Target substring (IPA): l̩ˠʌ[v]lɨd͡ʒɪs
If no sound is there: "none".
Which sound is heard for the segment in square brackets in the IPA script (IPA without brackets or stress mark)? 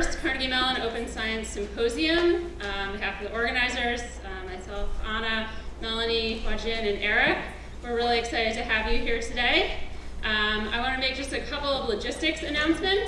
v